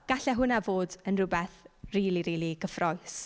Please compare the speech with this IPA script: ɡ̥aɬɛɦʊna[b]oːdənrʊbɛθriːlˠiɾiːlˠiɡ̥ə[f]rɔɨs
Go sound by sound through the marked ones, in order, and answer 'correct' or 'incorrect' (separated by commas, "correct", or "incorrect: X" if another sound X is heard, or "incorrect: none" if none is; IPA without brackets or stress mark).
incorrect: v, correct